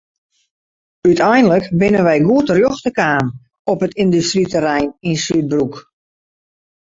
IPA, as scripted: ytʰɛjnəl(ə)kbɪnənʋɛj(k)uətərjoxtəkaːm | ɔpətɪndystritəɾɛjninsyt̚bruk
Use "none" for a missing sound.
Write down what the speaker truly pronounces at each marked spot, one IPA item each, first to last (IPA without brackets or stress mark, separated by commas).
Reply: ə, ɡ